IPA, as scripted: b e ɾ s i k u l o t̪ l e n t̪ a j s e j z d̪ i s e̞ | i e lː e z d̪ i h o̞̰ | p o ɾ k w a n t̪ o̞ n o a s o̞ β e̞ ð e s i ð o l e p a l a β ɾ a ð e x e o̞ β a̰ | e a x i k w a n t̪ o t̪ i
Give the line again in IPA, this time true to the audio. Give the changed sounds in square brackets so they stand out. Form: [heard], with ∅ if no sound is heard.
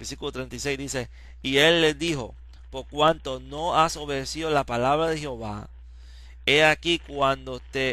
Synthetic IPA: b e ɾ s i k u l o t̪ [ɾ] e n t̪ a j s e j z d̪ i s e̞ | i e lː e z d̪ i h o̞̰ | p o ɾ k w a n t̪ o̞ n o a s o̞ β e̞ ð e s i ð o l [a] p a l a β ɾ a ð e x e o̞ β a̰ | e a [k] i k w a n [d̪] o t̪ [e]